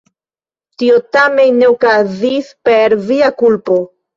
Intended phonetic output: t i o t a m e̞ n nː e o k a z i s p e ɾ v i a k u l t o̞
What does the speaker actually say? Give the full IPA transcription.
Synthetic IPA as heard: t i o t a m e̞ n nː e o k a z i s p e ɾ v i a k u l p o̞